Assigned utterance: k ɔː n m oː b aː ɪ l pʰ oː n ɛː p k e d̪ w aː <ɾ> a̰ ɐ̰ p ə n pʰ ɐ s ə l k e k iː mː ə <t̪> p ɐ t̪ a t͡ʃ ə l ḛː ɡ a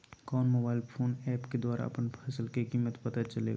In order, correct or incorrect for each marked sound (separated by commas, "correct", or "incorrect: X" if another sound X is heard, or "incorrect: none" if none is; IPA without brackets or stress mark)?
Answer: correct, correct